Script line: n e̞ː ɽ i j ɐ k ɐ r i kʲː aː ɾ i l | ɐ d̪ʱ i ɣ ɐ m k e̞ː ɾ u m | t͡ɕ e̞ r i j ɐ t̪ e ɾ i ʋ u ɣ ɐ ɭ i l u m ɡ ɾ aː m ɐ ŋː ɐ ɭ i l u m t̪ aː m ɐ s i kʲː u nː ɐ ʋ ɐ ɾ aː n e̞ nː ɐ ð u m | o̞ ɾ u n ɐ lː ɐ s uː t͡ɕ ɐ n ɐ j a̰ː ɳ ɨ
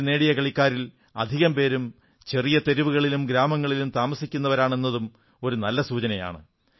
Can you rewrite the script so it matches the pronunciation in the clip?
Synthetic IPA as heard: n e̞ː ɽ i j ɐ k ɐ ɭ i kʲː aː ɾ i l | ɐ d̪ʱ i ɣ ɐ m p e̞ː ɾ u m | t͡ɕ e̞ r i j ɐ t̪ e ɾ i ʋ u ɣ ɐ ɭ i l u m ɡ ɾ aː m ɐ ŋː ɐ ɭ i l u m t̪ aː m ɐ s i kʲː u nː ɐ ʋ ɐ ɾ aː ɳ e̞ nː ɐ ð u m | o̞ ɾ u n ɐ lː ɐ s uː t͡ɕ ɐ n ɐ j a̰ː ɳ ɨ